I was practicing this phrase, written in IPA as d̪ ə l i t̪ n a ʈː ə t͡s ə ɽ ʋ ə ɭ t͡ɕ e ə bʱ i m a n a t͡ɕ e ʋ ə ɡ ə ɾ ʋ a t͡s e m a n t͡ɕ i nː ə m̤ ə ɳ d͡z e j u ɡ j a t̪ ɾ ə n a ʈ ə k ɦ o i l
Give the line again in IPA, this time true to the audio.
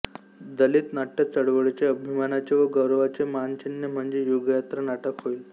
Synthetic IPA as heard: d̪ ə l i t̪ n a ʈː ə t͡s ə ɽ ʋ ə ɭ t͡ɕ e ə bʱ i m a n a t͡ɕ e ʋ ə ɡ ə ɾ ʋ a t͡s e m a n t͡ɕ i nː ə m̤ ə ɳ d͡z e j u ɡ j a t̪ ɾ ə n a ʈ ə k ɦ o i l